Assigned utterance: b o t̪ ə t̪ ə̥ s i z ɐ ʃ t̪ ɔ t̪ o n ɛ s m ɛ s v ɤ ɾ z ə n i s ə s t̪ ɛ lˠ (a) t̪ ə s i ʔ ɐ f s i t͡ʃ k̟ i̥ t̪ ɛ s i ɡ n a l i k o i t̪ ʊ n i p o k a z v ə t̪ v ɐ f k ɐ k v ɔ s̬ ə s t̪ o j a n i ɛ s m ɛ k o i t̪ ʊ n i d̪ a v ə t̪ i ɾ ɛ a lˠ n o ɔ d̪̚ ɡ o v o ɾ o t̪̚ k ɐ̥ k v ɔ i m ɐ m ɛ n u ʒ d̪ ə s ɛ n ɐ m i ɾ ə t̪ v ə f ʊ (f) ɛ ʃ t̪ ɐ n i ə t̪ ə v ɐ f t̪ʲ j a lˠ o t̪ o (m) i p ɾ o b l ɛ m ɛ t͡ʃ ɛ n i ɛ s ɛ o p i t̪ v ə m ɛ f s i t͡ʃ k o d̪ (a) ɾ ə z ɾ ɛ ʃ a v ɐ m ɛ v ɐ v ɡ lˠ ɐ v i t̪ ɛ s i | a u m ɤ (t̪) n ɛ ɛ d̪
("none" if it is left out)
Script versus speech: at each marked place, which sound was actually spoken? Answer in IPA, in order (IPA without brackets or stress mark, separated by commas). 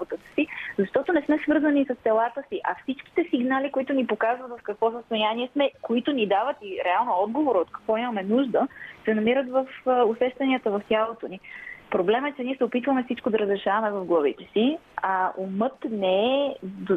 a, s, n, ɐ, t̪